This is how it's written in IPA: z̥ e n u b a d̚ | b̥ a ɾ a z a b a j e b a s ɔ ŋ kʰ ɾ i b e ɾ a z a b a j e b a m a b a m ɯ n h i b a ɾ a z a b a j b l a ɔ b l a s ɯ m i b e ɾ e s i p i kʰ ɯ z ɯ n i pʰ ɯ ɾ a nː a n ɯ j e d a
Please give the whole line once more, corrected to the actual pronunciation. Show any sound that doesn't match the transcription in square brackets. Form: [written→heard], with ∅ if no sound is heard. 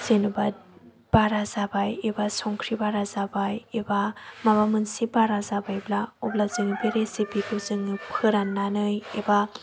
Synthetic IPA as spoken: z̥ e n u b a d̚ | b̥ a ɾ a z a b a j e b a s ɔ ŋ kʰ ɾ i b [e→a] ɾ a z a b a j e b a m a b a m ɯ n [h→s] i b a ɾ a z a b a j b l a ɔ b l a [s→z] ɯ [m→ŋ] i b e ɾ e s i p i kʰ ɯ z ɯ [n→ŋ] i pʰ ɯ ɾ a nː a n ɯ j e [d→b] a

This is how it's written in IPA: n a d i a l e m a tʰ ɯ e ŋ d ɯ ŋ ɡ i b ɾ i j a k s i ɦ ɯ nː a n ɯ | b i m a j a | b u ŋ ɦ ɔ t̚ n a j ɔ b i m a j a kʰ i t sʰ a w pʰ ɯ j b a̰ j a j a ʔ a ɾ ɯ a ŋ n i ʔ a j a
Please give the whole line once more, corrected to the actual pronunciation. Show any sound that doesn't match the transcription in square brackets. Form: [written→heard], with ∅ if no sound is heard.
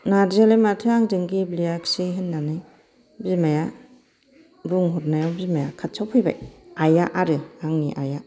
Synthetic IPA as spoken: n a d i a l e m a tʰ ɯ [e→a] ŋ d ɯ ŋ ɡ i b [ɾ→l] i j a k s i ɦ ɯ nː a n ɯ | b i m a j a | b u ŋ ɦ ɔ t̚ n a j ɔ b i m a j a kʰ [i→a] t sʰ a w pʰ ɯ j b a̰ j a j a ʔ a ɾ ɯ a ŋ n i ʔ a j a

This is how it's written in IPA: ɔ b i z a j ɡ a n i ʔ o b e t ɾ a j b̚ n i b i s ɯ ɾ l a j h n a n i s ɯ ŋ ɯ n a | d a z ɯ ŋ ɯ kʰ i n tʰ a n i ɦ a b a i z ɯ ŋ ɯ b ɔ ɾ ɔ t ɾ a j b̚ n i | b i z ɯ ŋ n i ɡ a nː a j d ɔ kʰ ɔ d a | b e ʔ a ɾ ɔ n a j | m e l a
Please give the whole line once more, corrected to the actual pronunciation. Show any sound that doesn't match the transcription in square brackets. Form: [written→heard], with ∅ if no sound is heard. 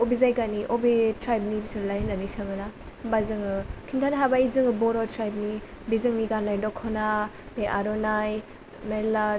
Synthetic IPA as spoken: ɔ b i z a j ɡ a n i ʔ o b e t ɾ a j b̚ n i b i s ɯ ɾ l a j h n a n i s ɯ ŋ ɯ n a | [d→b] a z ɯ ŋ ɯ kʰ i n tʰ a n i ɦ a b a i z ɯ ŋ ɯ b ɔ ɾ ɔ t ɾ a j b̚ n i | b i z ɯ ŋ n i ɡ a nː a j d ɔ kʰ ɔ [d→n] a | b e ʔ a ɾ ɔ n a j | m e l a

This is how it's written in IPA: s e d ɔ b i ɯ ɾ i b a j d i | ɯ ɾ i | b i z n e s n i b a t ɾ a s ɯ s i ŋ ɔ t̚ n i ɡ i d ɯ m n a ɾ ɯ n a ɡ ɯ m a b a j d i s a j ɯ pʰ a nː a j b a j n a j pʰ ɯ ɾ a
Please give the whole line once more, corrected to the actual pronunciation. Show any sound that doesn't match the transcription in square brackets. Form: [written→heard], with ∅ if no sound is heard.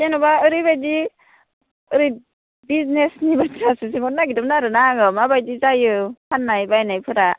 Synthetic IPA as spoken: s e [d→n] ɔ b [i→a] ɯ ɾ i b a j d i | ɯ ɾ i | b i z n e s n i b a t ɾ a s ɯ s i ŋ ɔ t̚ n [i→a] ɡ i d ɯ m n a ɾ ɯ n a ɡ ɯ m a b a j d i [s→z] a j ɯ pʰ a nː a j b a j n a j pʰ ɯ ɾ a

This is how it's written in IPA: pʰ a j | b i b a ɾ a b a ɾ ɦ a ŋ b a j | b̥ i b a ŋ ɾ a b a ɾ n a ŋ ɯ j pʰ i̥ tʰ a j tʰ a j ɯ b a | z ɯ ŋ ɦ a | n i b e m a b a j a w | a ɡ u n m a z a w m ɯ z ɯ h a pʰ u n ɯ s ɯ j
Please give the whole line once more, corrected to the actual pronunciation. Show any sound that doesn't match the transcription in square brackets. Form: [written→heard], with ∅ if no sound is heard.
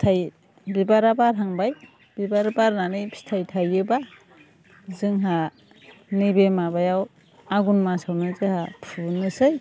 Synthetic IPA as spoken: [pʰ→tʰ] a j | b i b a ɾ a b a ɾ ɦ a ŋ b a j | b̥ i b a [ŋ→∅] ɾ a b a ɾ n a [ŋ→n] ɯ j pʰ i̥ tʰ a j tʰ a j ɯ b a | z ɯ ŋ ɦ a | n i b e m a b a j a w | a ɡ u n m a [z→s] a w [m→n] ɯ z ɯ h a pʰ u n ɯ s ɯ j

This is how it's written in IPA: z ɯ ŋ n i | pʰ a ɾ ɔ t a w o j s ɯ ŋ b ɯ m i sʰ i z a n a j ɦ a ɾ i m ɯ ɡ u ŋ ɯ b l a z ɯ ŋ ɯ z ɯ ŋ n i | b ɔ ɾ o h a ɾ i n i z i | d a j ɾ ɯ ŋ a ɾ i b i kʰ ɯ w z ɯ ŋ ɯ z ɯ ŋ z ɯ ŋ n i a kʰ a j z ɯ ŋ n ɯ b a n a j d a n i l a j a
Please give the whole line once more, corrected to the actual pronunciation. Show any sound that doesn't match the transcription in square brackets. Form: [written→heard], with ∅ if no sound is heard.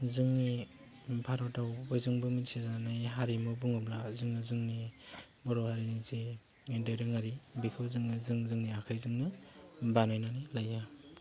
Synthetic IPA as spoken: z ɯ ŋ n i | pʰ a ɾ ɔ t a w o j [s→z] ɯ ŋ b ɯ m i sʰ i z a n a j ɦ a ɾ i m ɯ [ɡ→b] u ŋ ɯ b l a z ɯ ŋ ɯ z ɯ ŋ n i | b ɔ ɾ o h a ɾ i n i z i | d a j ɾ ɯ ŋ a ɾ i b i kʰ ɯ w z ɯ ŋ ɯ z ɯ ŋ z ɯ ŋ n i a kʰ a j z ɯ ŋ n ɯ b a n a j [d→n] a n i l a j a

